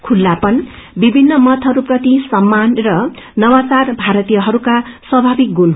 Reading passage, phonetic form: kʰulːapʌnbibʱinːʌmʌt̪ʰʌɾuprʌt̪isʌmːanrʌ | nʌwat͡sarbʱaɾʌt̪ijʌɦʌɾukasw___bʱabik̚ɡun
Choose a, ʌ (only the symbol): ʌ